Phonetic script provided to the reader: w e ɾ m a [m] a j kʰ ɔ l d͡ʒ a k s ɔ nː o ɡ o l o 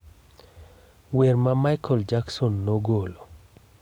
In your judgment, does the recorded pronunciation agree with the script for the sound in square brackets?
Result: yes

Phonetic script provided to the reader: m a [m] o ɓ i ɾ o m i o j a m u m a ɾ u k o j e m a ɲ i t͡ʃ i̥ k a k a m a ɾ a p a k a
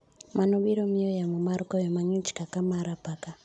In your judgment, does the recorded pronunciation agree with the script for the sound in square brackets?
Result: no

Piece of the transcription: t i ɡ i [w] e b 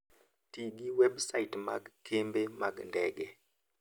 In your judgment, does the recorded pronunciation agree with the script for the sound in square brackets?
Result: yes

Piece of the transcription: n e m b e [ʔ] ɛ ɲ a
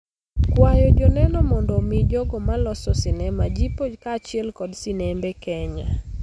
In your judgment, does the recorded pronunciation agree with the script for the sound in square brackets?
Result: no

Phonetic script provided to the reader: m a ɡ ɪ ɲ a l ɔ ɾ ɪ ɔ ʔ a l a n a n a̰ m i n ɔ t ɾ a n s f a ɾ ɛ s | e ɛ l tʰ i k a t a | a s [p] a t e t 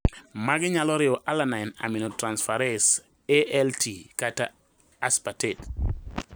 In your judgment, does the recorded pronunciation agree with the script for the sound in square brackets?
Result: yes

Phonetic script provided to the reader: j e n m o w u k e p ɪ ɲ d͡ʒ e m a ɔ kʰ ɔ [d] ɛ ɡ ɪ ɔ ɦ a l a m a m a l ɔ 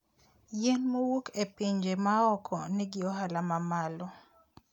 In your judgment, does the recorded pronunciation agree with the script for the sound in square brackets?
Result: no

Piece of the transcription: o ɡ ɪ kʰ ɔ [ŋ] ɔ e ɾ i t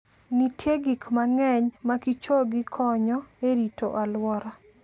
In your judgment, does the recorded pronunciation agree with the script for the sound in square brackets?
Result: no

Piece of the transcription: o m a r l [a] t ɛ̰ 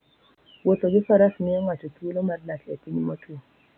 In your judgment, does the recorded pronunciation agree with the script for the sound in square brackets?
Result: yes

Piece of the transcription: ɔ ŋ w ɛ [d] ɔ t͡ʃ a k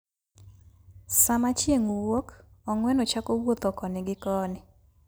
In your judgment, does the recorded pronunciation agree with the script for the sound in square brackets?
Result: no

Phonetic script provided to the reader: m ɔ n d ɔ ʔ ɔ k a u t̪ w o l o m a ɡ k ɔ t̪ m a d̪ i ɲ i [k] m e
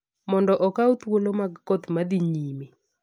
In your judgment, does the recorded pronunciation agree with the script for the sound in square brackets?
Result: no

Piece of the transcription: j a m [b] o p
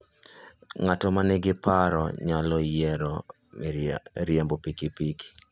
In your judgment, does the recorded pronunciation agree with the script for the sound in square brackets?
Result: yes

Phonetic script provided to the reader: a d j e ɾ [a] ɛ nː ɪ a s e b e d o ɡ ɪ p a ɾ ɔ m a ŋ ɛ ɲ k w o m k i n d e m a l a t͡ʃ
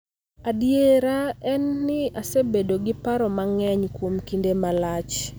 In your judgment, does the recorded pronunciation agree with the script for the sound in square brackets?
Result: yes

